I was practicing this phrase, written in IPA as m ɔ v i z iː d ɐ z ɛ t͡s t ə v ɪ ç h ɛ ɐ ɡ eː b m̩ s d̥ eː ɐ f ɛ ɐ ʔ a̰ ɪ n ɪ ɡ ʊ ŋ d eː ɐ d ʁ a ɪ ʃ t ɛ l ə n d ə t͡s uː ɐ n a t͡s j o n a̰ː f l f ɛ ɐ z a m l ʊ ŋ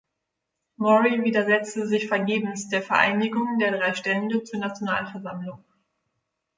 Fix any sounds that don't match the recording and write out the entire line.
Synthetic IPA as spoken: m ɔ ʁ i v iː d ɐ z ɛ t͡s t ə z ɪ ç f ɛ ɐ ɡ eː b m̩ s d̥ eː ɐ f ɛ ɐ ʔ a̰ ɪ n ɪ ɡ ʊ ŋ d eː ɐ d ʁ a ɪ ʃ t ɛ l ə n d ə t͡s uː ɐ n a t͡s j o n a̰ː l f ɛ ɐ z a m l ʊ ŋ